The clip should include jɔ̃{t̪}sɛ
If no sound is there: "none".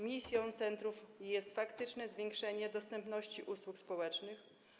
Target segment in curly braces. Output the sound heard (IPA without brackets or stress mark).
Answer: t̪